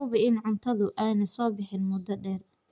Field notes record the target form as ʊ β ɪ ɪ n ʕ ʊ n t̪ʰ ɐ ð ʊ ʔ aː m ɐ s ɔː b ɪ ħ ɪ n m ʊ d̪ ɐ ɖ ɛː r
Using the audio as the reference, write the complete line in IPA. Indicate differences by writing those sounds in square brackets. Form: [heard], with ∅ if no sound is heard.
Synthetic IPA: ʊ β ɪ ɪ n ʕ ʊ n t̪ʰ ɐ ð ʊ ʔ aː [n] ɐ s ɔː b ɪ ħ ɪ n m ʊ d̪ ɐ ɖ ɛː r

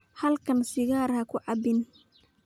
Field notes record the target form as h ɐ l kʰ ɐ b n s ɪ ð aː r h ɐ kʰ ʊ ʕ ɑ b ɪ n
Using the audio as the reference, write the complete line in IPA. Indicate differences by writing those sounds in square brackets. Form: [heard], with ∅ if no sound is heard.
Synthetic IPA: h ɐ l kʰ ɐ [∅] n s ɪ [ɣ] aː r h ɐ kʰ ʊ ʕ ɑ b ɪ n

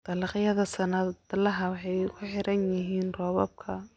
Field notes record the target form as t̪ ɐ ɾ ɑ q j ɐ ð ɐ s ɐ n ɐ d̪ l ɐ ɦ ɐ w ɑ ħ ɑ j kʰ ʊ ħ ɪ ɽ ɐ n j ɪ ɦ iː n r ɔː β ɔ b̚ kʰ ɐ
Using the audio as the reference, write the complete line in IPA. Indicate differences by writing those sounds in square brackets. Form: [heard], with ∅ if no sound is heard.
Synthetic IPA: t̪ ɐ [l] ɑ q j ɐ ð ɐ s ɐ n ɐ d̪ l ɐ ɦ ɐ w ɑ ħ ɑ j kʰ ʊ ħ ɪ [ɾ] ɐ n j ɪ ɦ iː n r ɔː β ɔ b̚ kʰ ɐ

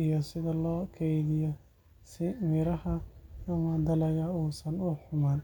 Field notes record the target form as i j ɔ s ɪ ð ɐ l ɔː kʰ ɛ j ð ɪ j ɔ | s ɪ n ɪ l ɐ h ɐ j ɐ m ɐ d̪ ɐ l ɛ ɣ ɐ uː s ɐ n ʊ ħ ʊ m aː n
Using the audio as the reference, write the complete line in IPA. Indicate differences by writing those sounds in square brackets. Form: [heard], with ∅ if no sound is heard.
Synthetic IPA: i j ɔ s ɪ ð ɐ l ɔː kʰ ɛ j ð ɪ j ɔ | s ɪ [m] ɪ [ɾ] ɐ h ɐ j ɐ m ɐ d̪ ɐ l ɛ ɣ ɐ uː s ɐ n ʊ ħ ʊ m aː n

